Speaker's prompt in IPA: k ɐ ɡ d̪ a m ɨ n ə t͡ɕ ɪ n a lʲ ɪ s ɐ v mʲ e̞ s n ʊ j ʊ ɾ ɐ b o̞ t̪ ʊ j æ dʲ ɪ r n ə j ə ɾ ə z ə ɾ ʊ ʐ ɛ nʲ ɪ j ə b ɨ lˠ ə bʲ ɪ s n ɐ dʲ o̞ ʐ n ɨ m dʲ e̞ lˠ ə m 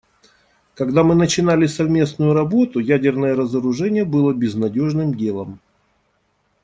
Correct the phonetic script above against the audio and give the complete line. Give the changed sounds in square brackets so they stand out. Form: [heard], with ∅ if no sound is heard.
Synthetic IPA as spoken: k ɐ ɡ d̪ a m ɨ n ə t͡ɕ ɪ n a lʲ ɪ s ɐ v mʲ e̞ s n ʊ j ʊ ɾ ɐ b o̞ t̪ ʊ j æ dʲ ɪ r n ə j ə ɾ ə z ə ɾ ʊ ʐ ɛ nʲ ɪ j ə b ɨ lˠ ə bʲ ɪ [z] n ɐ dʲ o̞ ʐ n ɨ m dʲ e̞ lˠ ə m

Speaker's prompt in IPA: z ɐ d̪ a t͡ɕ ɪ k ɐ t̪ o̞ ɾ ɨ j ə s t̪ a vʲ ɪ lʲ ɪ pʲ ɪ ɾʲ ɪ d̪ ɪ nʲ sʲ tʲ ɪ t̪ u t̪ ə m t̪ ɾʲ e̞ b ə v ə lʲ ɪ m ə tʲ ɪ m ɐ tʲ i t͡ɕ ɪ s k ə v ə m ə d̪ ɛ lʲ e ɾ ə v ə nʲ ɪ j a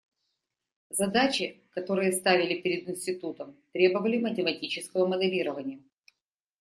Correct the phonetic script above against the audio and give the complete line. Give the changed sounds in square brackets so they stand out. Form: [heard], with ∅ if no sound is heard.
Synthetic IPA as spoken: z ɐ d̪ a t͡ɕ ɪ k ɐ t̪ o̞ ɾ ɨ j ə s t̪ a vʲ ɪ lʲ ɪ pʲ ɪ ɾʲ ɪ d̪ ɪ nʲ sʲ tʲ ɪ t̪ u t̪ ə m t̪ ɾʲ e̞ b ə v ə lʲ ɪ m ə tʲ ɪ m ɐ tʲ i t͡ɕ ɪ s k ə v ə m ə d̪ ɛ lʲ [i] ɾ ə v ə nʲ ɪ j [ə]

